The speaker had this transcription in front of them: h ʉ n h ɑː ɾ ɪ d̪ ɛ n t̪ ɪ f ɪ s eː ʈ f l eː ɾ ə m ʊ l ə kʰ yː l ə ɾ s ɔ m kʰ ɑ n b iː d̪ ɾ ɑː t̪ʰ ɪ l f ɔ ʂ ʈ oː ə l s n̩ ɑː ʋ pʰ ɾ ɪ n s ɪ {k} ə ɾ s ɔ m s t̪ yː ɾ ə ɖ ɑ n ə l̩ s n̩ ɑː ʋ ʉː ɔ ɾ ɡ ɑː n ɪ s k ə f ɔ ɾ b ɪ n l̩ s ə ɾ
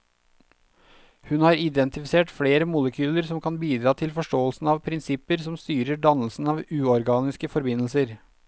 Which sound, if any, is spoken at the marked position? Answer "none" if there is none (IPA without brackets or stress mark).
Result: p